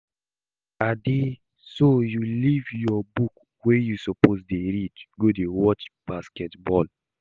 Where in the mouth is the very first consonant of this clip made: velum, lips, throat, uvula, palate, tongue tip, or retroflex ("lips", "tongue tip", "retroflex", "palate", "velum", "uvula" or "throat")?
tongue tip